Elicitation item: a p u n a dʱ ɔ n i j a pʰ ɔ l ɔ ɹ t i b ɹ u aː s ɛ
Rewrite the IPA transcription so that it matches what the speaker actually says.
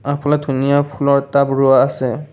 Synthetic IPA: a p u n a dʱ u n i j a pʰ u l ɔ ɹ t a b ɹ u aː s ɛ